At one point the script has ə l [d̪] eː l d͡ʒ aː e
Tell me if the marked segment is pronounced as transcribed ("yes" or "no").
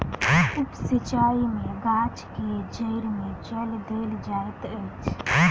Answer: yes